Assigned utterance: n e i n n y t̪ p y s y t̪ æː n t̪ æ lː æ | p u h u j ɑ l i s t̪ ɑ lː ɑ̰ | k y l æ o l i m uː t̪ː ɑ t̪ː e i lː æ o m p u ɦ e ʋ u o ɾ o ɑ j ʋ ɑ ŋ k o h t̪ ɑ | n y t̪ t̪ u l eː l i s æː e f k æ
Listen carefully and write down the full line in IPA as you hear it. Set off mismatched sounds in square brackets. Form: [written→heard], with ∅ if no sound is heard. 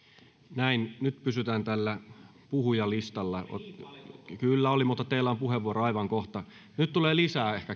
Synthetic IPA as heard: n [e→æ] i n n y t̪ p y s y t̪ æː n t̪ æ lː æ | p u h u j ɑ l i s t̪ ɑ lː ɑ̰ | k y [l→lː] æ o l i m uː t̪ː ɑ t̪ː e i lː æ o m p u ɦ e ʋ u o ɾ o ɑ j ʋ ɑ ŋ k o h t̪ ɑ | n y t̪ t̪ u l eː l i s æː e [f→h] k æ